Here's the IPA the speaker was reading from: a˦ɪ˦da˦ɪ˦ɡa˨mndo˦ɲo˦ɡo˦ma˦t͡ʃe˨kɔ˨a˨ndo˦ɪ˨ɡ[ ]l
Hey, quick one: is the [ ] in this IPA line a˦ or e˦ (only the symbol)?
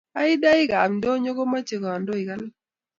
a˦